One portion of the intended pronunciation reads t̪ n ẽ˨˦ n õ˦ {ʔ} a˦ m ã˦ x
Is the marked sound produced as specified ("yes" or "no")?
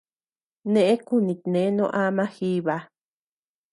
yes